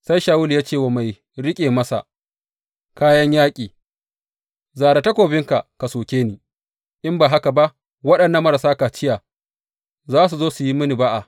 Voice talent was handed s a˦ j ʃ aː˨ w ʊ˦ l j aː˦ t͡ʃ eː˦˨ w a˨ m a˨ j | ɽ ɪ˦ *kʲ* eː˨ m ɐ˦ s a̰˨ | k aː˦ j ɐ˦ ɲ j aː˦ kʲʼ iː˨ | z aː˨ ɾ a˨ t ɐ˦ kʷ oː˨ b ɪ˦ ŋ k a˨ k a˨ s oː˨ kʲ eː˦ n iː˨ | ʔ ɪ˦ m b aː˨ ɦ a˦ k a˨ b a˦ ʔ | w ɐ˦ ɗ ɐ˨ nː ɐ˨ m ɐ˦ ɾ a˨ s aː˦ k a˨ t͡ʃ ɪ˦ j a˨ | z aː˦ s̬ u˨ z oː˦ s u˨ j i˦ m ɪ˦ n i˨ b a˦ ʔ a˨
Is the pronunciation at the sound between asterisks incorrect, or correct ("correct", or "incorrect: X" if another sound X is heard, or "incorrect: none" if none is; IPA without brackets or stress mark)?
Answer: incorrect: kʲʼ